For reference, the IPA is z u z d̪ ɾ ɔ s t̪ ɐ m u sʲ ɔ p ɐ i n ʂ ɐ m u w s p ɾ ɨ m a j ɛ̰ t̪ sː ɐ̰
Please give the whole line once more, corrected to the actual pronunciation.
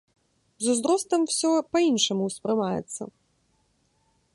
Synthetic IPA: z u z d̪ ɾ ɔ s t̪ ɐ m w sʲ ɔ p ɐ i n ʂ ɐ m u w s p ɾ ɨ m a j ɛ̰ t̪ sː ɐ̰

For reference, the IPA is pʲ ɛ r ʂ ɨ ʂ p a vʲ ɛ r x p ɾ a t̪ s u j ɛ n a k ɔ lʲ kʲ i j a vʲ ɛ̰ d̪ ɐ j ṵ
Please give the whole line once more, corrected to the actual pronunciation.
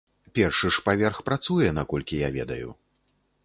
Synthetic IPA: pʲ ɛ r ʂ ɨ ʂ p a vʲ ɛ r x p ɾ a t̪ s u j ɛ n a k ɔ lʲ kʲ i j a vʲ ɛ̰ d̪ ɐ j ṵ

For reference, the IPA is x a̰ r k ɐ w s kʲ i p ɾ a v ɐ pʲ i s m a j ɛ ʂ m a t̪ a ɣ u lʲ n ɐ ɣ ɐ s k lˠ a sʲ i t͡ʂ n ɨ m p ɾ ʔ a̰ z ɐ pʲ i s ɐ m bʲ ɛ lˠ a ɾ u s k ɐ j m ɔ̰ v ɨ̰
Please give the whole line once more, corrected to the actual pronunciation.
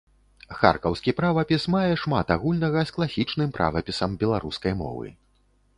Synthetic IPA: x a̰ r k ɐ w s kʲ i p ɾ a v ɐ pʲ i s m a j ɛ ʂ m a t̪ a ɣ u lʲ n ɐ ɣ ɐ s k lˠ a sʲ i t͡ʂ n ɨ m p ɾ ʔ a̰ v ɐ pʲ i s ɐ m bʲ ɛ lˠ a ɾ u s k ɐ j m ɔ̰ v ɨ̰

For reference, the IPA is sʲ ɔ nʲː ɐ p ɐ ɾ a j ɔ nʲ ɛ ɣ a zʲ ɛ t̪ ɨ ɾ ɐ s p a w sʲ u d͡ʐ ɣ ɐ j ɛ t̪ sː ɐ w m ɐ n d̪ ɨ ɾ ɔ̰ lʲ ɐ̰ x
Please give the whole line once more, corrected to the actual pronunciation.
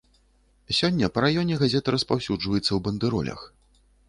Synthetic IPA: sʲ ɔ nʲː ɐ p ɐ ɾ a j ɔ nʲ ɛ ɣ a zʲ ɛ t̪ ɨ ɾ ɐ s p a w sʲ u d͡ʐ v ɐ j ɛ t̪ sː ɐ w b ɐ n d̪ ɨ ɾ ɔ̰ lʲ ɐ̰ x

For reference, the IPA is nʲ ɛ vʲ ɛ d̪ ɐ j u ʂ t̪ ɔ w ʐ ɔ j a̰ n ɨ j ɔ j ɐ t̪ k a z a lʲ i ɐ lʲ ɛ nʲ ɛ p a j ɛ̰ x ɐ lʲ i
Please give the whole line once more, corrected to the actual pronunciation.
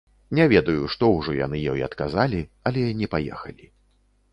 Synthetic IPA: nʲ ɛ vʲ ɛ d̪ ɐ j u ʂ t̪ ɔ w ʐ ɔ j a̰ n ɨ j ɔ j ɐ t̪ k a z a lʲ i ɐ lʲ ɛ nʲ ɛ p a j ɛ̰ x ɐ lʲ i

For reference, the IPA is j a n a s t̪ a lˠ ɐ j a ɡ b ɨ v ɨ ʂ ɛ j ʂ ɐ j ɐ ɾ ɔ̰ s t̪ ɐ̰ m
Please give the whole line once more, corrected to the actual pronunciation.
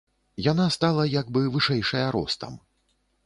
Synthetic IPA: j a n a s t̪ a lˠ ɐ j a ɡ b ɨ v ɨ ʂ ɛ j ʂ ɐ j ɐ ɾ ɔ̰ s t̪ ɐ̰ m

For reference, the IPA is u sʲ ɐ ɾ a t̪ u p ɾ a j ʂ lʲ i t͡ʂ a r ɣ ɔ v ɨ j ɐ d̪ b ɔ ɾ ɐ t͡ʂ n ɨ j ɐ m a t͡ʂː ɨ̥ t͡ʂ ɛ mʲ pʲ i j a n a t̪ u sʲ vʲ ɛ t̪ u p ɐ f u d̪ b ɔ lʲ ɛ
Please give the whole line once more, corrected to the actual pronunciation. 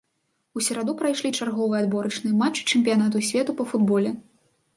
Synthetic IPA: u sʲ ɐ ɾ a d̪ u p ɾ a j ʂ lʲ i t͡ʂ a r ɣ ɔ v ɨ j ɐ d̪ b ɔ ɾ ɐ t͡ʂ n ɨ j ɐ m a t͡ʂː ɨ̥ t͡ʂ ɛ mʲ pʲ i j a n a t̪ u sʲ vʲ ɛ t̪ u p ɐ f u d̪ b ɔ lʲ ɛ

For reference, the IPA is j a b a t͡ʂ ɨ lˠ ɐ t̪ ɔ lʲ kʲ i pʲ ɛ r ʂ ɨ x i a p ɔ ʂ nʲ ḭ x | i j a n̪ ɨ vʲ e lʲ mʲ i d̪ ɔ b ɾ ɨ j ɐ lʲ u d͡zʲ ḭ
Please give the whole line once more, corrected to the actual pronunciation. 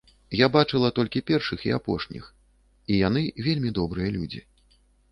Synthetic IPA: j a b a t͡ʂ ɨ lˠ ɐ t̪ ɔ lʲ kʲ i pʲ ɛ r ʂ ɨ x i a p ɔ ʂ nʲ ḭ x | i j a n̪ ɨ vʲ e lʲ mʲ i d̪ ɔ b ɾ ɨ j ɐ lʲ u d͡zʲ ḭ

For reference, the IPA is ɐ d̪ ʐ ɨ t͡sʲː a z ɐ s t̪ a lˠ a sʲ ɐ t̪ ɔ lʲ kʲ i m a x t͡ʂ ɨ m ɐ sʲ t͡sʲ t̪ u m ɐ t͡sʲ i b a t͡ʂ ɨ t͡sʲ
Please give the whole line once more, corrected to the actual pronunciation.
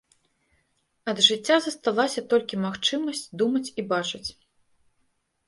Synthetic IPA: ɐ d̪ ʐ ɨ t͡sʲː a z ɐ s t̪ a lˠ a sʲ ɐ t̪ ɔ lʲ kʲ i m a x t͡ʂ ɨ m ɐ sʲ t͡sʲ d̪ u m ɐ t͡sʲ i b a t͡ʂ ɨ t͡sʲ

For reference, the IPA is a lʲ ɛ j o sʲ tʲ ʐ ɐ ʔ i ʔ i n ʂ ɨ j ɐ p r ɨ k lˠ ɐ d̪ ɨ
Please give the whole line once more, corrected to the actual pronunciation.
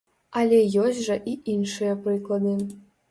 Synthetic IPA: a lʲ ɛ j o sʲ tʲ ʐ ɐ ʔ i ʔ i n ʂ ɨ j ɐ p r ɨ k lˠ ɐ d̪ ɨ

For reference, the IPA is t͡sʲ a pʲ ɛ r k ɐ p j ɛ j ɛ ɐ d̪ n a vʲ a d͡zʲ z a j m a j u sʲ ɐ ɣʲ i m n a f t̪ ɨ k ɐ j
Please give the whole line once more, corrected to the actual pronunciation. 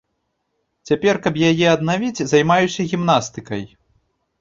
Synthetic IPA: t͡sʲ a pʲ ɛ r k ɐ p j a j ɛ ɐ d̪ n a vʲ i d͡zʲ z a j m a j u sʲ ɐ ɣʲ i m n a s t̪ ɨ k ɐ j

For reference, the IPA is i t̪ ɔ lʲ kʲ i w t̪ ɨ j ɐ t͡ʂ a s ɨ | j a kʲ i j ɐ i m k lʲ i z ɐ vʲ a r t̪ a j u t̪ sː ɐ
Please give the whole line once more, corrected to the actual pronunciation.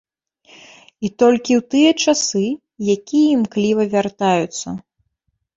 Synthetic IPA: i t̪ ɔ lʲ kʲ i w t̪ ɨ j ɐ t͡ʂ a s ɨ | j a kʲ i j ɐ i m k lʲ i v ɐ vʲ a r t̪ a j u t̪ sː ɐ

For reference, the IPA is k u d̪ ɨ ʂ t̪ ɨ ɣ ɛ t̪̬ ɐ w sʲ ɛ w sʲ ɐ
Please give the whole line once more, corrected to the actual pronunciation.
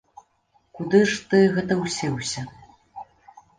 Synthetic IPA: k u d̪ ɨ ʂ t̪ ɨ ɣ ɛ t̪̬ ɐ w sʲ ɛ w sʲ ɐ

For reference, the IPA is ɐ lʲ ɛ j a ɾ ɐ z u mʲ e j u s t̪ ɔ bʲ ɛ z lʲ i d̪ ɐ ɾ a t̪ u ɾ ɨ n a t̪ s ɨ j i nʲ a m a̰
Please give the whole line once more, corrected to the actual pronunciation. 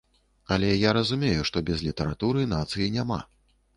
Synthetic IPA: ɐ lʲ ɛ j a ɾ ɐ z u mʲ e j u ʂ t̪ ɔ bʲ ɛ z lʲ i t̪ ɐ ɾ a t̪ u ɾ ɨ n a t̪ s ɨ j i nʲ a m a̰

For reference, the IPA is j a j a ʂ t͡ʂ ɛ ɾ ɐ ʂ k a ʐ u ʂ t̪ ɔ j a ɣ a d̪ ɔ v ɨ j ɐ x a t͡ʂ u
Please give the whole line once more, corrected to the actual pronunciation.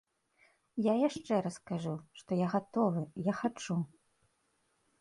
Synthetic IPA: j a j a ʂ t͡ʂ ɛ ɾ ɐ s k a ʐ u ʂ t̪ ɔ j a ɣ a t̪ ɔ v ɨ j a x a t͡ʂ u

